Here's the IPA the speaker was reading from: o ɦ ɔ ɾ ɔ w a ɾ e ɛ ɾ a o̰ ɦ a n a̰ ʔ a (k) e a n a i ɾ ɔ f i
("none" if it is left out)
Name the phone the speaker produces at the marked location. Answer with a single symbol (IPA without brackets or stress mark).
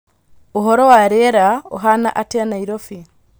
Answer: t